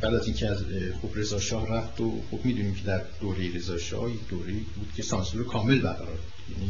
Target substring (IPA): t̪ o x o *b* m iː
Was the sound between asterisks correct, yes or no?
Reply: yes